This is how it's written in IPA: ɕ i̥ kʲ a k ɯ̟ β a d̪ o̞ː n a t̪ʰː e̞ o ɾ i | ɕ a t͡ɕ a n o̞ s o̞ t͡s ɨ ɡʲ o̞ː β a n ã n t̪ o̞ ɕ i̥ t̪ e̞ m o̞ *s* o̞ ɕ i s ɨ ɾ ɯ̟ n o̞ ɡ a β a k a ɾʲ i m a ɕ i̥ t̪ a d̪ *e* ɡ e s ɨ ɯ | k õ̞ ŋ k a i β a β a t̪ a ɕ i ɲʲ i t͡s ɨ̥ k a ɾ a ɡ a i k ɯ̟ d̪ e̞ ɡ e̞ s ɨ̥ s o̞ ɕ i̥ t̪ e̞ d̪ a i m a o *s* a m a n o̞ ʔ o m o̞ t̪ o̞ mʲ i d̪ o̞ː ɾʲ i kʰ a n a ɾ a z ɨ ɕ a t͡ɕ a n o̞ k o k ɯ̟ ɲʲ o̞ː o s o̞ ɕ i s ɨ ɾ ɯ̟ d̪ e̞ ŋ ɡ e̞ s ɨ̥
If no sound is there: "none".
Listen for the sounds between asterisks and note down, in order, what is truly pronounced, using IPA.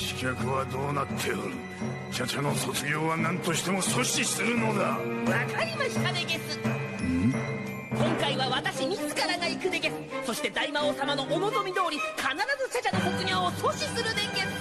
s, e, s

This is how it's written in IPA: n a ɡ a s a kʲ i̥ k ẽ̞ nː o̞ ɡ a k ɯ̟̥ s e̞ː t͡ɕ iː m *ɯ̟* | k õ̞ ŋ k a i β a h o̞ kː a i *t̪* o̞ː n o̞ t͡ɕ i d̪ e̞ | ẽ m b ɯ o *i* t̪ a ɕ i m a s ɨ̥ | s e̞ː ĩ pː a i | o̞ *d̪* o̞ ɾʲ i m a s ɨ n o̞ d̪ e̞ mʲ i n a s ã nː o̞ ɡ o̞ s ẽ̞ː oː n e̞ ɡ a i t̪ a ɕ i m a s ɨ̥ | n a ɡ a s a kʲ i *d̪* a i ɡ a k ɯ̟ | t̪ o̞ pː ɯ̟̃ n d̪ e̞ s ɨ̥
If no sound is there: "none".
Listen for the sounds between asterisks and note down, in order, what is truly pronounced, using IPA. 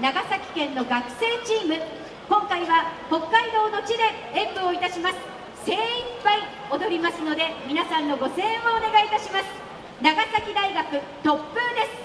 ɯ̟, d̪, i, d̪, d̪

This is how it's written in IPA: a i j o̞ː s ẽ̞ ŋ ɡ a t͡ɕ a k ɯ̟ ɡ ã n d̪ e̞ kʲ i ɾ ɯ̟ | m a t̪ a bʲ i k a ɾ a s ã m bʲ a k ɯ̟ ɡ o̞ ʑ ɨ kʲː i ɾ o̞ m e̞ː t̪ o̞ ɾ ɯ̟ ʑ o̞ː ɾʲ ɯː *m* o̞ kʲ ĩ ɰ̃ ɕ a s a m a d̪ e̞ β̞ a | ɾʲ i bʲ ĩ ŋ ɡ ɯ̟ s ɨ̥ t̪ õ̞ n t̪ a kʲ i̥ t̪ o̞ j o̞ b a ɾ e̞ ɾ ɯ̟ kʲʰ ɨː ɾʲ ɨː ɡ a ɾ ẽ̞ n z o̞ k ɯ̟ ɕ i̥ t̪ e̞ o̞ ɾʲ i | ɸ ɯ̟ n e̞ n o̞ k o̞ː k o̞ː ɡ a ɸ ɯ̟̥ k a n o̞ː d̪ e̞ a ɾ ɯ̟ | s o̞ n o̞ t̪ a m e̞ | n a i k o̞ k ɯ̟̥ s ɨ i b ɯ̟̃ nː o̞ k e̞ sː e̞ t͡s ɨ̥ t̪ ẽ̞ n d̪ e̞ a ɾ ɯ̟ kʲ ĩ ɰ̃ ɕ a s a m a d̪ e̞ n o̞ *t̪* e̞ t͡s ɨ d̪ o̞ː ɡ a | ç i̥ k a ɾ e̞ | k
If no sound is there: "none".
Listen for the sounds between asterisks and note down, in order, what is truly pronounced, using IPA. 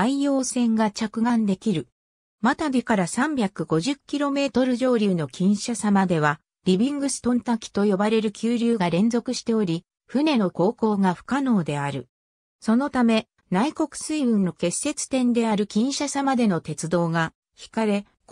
n, t̪

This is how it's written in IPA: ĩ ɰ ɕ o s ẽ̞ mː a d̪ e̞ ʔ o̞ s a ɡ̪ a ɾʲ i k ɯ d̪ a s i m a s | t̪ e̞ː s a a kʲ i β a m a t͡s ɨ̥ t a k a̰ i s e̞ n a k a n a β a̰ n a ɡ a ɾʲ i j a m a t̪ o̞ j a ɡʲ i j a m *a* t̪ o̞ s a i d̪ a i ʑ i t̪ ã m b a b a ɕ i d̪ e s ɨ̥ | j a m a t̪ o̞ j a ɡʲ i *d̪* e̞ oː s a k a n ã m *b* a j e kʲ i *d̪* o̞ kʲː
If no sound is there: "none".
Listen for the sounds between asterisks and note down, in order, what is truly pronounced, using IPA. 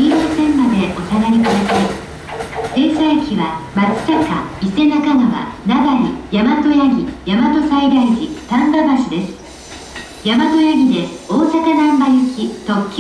a, d̪, b, t̪

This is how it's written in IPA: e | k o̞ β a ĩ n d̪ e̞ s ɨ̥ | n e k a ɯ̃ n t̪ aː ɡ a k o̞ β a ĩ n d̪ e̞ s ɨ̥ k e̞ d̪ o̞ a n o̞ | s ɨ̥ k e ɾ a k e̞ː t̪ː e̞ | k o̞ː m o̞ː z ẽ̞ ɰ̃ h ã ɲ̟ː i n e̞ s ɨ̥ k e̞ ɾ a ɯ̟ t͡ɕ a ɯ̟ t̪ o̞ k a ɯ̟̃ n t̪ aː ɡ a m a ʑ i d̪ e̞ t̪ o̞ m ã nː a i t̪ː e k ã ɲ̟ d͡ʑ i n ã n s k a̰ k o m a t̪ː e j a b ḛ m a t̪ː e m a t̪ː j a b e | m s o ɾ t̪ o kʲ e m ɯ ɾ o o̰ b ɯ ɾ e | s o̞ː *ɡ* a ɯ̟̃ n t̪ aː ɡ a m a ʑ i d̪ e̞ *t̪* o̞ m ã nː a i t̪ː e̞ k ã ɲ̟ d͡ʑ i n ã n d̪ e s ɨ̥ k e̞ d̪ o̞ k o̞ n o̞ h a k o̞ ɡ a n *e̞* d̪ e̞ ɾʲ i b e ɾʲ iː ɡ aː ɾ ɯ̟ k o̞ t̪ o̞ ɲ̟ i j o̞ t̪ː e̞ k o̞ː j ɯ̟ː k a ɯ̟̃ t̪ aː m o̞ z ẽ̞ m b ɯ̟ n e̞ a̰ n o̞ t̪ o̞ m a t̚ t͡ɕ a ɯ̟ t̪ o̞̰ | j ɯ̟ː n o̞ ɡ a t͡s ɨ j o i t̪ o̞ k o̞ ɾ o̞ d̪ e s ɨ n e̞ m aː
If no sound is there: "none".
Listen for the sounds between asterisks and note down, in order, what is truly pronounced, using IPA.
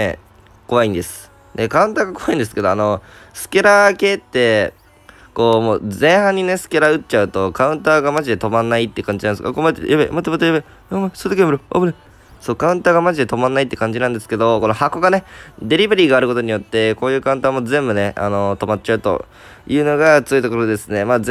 k, t̪, e̞

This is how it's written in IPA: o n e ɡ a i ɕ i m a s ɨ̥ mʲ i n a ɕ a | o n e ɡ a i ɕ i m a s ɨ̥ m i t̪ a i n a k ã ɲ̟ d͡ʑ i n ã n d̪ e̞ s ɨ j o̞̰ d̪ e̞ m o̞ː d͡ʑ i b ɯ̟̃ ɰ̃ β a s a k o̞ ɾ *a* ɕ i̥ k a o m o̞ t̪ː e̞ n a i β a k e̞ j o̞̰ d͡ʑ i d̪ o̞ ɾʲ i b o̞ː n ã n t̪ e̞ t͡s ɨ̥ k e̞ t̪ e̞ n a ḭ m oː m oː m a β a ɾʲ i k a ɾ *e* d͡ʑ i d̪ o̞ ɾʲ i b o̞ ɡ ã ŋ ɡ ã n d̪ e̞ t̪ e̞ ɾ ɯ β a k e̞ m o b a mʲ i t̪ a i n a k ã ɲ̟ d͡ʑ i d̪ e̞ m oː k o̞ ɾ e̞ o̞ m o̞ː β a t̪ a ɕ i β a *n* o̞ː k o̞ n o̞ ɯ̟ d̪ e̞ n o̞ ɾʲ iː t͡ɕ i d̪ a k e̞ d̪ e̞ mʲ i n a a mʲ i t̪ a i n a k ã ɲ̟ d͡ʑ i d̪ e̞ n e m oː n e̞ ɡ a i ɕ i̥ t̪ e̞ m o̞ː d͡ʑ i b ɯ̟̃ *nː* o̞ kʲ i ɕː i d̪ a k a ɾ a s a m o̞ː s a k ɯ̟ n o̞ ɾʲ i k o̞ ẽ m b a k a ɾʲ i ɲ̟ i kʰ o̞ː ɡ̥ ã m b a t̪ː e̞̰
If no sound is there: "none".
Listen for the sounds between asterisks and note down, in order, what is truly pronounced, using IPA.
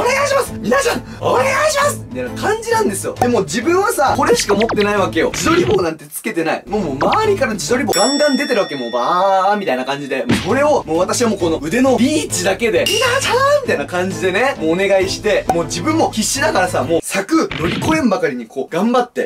e, a, m, mː

